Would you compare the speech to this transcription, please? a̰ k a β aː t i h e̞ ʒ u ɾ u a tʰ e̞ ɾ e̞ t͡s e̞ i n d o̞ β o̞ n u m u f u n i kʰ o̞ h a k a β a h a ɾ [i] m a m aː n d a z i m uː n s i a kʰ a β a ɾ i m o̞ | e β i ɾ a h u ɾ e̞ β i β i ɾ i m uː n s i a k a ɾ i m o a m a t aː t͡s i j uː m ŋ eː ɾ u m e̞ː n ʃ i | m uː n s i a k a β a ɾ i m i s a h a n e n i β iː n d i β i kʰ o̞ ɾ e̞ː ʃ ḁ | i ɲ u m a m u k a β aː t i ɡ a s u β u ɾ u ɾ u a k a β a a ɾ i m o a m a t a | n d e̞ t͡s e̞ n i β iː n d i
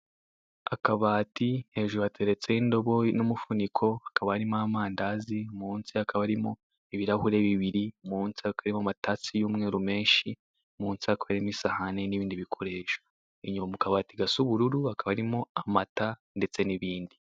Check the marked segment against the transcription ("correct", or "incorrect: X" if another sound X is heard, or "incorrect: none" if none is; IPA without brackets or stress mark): correct